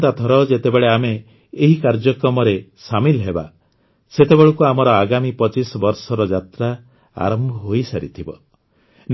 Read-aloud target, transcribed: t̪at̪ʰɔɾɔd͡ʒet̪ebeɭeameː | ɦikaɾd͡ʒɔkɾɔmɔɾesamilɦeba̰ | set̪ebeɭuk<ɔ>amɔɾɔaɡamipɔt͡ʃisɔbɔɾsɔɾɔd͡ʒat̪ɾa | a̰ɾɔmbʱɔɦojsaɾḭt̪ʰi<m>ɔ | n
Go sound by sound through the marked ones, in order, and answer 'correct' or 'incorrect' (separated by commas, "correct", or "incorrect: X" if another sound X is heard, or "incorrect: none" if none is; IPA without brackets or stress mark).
incorrect: u, incorrect: b